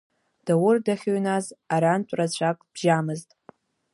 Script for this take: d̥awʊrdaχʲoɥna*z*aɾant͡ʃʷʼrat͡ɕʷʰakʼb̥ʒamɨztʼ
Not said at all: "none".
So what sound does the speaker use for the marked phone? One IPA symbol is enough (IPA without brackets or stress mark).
z